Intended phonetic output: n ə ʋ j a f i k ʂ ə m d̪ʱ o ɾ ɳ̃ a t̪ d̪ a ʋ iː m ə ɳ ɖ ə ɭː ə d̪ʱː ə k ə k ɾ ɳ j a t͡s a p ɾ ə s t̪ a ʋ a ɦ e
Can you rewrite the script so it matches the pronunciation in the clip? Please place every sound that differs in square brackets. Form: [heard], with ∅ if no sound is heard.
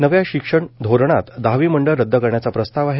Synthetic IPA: n ə ʋ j a [ɕ] i k ʂ ə [ɳ] d̪ʱ o ɾ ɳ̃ a t̪ d̪ a ʋ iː m ə ɳ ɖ ə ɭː ə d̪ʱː ə k ə [∅] ɾ ɳ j a t͡s a p ɾ ə s t̪ a ʋ a ɦ e

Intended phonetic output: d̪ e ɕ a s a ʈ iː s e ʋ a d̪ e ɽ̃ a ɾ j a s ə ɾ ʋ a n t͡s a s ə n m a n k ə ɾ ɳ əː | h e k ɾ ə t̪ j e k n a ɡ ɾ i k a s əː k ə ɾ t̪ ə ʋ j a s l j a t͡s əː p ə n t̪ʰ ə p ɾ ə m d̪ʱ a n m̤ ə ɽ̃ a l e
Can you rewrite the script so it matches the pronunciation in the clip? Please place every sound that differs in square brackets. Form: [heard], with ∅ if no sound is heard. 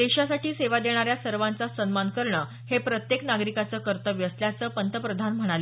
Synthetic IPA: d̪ e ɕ a s a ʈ iː s e ʋ a d̪ e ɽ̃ a ɾ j a s ə ɾ ʋ a n t͡s a s ə n m a n k ə ɾ ɳ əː | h e [p] ɾ ə t̪ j e k n a ɡ ɾ i k a [t͡s] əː k ə ɾ t̪ ə ʋ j [ə] s l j a t͡s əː p ə n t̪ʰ ə p ɾ ə [∅] d̪ʱ a n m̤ ə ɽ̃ a l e

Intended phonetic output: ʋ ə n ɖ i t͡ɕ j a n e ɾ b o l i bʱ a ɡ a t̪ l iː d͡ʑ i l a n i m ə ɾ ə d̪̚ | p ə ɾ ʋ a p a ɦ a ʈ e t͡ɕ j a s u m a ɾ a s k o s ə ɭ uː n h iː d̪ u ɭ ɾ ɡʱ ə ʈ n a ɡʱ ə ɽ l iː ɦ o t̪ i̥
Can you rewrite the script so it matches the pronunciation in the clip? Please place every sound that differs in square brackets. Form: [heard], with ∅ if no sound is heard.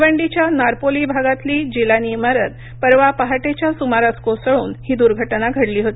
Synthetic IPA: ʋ ə [ɳ] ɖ i t͡ɕ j a n [a] ɾ [p] o l i bʱ a ɡ a t̪ l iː d͡ʑ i l a n i m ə ɾ ə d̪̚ | p ə ɾ ʋ a p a ɦ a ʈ e t͡ɕ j a s u m a ɾ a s k o s ə ɭ uː n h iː d̪ u [∅] ɾ ɡʱ ə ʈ n a ɡʱ ə ɽ l iː ɦ o t̪ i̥

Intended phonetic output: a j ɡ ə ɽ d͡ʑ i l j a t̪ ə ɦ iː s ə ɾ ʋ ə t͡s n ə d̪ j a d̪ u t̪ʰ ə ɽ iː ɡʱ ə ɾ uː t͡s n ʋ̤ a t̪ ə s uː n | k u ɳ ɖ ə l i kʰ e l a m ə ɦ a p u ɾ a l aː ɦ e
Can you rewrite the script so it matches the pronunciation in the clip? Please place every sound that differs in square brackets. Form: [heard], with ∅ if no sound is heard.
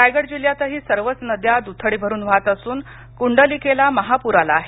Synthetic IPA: a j ɡ ə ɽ d͡ʑ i l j a t̪ ə ɦ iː s ə ɾ ʋ ə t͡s n ə d̪ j a d̪ u t̪ʰ ə ɽ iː [bʱ] ə ɾ uː [∅] n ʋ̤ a t̪ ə s uː n | k u ɳ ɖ ə l i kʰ e l a m ə ɦ a p u ɾ a l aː ɦ e

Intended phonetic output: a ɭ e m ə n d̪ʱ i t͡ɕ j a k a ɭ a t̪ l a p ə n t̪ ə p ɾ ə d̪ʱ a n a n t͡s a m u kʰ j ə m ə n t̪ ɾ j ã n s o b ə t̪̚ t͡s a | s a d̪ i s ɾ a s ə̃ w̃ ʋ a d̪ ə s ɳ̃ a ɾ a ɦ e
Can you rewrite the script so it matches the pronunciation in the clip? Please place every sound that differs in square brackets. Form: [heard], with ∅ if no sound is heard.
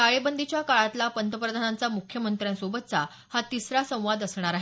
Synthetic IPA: a ɭ e [b] ə n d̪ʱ i t͡ɕ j a k a ɭ a t̪ l a p ə n t̪ ə p ɾ ə d̪ʱ a n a n t͡s a m u kʰ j ə m ə n t̪ ɾ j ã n s o b ə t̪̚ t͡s a | [h] a [t̪] i s ɾ a s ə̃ w̃ ʋ a d̪ ə s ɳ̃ a ɾ a ɦ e

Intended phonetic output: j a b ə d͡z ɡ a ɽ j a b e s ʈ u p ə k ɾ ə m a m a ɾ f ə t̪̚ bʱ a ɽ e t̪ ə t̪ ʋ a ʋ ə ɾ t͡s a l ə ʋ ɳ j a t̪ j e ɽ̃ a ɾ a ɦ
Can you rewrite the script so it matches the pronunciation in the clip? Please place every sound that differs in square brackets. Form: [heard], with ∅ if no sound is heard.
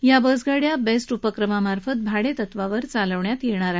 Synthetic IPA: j a b ə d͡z ɡ a ɽ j a b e s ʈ u p ə k ɾ ə m a m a ɾ f ə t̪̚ bʱ a ɽ e t̪ ə t̪ ʋ a ʋ ə ɾ t͡s a l ə ʋ ɳ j a t̪ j e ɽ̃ a ɾ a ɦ

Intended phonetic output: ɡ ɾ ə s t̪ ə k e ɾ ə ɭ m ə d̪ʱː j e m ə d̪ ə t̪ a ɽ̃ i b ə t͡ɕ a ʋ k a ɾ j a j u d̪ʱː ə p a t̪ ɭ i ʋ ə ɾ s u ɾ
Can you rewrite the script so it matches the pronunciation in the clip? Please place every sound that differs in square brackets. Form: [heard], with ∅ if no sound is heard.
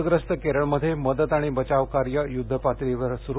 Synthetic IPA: ɡ ɾ ə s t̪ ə k e ɾ ə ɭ m ə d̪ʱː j e m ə d̪ ə t̪ a ɽ̃ i b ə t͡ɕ a ʋ k a ɾ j [ə] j u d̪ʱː ə p a t̪ [ɾ] i ʋ ə ɾ s u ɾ

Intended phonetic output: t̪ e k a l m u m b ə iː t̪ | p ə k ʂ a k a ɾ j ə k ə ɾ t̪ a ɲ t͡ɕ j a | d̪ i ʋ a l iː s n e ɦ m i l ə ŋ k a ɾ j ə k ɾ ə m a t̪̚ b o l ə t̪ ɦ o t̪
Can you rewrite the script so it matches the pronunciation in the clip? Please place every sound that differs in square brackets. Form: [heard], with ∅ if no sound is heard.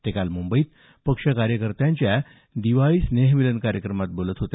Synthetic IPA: t̪ e k a l m u m b ə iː t̪ | p ə k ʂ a k a ɾ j ə k ə ɾ t̪ a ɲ t͡ɕ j a | d̪ i ʋ a [ɭ] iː s n e ɦ m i l ə [n] k a ɾ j ə k ɾ ə m a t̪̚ b o l ə t̪ ɦ o t̪

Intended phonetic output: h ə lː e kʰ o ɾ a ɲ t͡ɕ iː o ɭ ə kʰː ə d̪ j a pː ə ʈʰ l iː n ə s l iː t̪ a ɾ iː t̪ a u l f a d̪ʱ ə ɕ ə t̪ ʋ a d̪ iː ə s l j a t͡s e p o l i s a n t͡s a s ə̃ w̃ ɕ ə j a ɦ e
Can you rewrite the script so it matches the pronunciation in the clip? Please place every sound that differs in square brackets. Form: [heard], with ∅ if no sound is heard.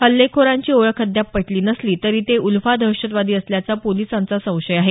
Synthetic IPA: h ə lː e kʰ o ɾ a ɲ t͡ɕ iː o ɭ ə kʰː ə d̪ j a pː ə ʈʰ l iː n ə s l iː t̪ [ə] ɾ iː t̪ [e] u l f a d̪ʱ ə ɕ ə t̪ ʋ a d̪ iː ə s l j a t͡s [a] p o l i s a n t͡s a s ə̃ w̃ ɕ ə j a ɦ e

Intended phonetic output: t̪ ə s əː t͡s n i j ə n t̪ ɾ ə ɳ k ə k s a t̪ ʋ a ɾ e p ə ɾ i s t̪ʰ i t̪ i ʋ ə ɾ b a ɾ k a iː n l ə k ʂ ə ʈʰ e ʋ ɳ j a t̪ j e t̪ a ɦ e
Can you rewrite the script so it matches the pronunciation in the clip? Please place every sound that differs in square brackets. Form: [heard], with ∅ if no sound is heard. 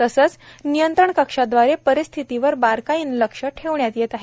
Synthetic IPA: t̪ ə s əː t͡s n i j ə n t̪ ɾ ə ɳ k ə k [ʂ] a [d̪] ʋ a ɾ e p ə ɾ i s t̪ʰ i t̪ i ʋ ə ɾ b a ɾ k a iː n l ə k ʂ ə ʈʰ e ʋ ɳ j a t̪ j e t̪ a ɦ e

